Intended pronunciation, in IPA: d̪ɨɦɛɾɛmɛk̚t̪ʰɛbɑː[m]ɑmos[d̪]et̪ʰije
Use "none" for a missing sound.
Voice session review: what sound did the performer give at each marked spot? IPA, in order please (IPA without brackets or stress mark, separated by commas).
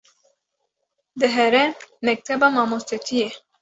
m, t̪